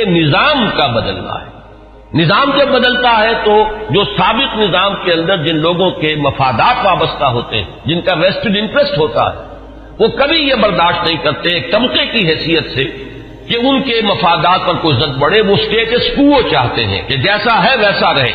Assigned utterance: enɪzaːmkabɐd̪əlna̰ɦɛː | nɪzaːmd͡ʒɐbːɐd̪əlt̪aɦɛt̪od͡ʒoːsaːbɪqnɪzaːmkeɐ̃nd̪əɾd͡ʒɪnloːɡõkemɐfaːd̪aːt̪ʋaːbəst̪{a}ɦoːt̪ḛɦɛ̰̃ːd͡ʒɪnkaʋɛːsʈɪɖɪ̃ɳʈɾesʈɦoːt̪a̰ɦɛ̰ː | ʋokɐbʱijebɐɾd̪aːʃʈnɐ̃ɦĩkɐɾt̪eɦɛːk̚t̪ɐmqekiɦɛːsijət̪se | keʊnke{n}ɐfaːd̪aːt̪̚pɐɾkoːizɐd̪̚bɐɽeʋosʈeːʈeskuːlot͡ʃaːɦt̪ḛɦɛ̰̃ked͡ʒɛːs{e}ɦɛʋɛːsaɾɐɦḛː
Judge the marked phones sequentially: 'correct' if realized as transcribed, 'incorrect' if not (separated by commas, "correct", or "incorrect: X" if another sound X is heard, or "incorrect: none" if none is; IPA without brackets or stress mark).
correct, incorrect: m, incorrect: a